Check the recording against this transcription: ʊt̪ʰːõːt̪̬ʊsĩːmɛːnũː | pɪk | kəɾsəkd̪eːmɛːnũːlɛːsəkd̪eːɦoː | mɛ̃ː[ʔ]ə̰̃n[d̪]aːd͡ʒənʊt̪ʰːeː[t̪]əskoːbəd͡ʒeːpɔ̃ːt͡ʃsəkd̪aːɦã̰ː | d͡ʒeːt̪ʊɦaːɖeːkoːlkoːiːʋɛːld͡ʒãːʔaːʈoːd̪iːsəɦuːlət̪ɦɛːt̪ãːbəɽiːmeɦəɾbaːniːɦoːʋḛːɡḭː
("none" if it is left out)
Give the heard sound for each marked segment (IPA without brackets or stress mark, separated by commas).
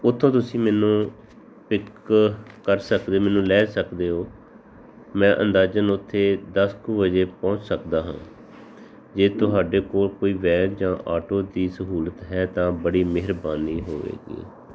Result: ʔ, d̪, d̪